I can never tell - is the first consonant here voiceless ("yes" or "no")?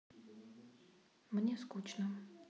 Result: no